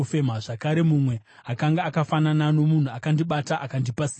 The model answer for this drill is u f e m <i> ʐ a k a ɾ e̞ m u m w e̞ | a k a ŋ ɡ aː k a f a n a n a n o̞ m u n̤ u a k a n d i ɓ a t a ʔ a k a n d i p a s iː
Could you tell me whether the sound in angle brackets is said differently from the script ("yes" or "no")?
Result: yes